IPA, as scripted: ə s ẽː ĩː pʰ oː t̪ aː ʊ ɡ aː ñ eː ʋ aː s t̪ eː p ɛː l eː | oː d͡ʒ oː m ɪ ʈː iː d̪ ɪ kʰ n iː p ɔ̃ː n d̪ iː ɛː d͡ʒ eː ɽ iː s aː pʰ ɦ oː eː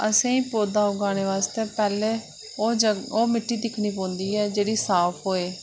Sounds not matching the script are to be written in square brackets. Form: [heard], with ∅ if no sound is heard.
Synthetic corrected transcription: ə s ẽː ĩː [p] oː [d̪] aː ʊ ɡ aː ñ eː ʋ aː s t̪ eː p ɛː l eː | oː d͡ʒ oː m ɪ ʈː iː d̪ ɪ kʰ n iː p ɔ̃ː n d̪ iː ɛː d͡ʒ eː ɽ iː s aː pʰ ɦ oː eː